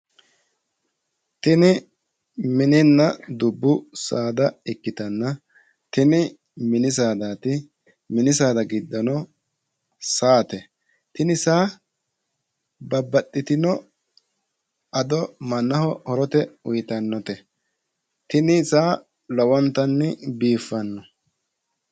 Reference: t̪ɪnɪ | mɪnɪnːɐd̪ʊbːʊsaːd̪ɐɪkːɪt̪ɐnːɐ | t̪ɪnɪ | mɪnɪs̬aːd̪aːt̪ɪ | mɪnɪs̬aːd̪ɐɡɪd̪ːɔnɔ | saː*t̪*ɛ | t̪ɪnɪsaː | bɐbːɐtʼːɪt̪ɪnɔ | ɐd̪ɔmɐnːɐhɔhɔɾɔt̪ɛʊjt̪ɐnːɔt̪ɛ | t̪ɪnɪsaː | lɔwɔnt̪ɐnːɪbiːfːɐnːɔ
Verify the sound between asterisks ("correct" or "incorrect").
correct